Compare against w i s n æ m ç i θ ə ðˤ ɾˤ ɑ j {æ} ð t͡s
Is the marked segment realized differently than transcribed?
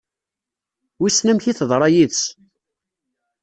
yes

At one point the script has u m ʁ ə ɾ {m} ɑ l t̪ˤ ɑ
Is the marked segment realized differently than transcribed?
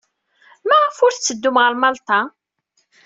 no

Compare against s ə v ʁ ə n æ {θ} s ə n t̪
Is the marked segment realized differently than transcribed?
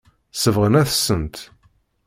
no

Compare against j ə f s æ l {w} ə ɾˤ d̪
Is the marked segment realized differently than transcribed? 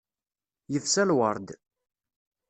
no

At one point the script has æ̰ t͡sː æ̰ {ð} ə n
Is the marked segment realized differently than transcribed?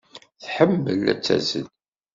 yes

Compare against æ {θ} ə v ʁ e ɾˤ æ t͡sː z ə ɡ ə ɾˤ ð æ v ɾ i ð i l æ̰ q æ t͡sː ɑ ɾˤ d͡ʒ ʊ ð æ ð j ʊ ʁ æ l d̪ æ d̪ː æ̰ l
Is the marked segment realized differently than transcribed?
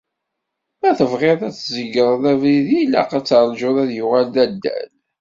no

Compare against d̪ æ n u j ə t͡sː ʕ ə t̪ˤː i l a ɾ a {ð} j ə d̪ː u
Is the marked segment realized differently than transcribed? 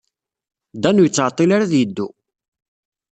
no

